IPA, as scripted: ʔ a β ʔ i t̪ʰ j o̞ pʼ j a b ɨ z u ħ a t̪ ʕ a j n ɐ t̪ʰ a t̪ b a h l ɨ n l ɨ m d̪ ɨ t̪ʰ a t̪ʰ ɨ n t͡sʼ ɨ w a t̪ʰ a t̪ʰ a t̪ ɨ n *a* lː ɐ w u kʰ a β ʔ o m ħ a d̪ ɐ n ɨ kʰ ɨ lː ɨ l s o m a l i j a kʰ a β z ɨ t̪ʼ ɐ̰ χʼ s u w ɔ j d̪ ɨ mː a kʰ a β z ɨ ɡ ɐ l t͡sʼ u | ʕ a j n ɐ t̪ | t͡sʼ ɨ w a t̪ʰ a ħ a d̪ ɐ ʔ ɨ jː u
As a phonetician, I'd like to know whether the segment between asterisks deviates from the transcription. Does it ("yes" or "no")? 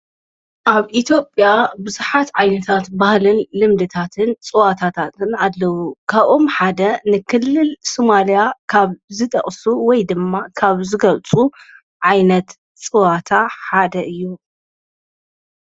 no